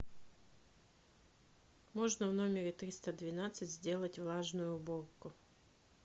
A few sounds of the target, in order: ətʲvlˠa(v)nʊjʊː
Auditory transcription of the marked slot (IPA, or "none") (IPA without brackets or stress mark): ʐ